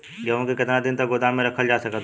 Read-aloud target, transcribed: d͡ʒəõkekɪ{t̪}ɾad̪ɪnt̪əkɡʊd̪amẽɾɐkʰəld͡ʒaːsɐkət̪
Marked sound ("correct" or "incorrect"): correct